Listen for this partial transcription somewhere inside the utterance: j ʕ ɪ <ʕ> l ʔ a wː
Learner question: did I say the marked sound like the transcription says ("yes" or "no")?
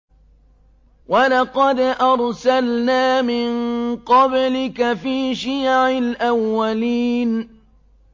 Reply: no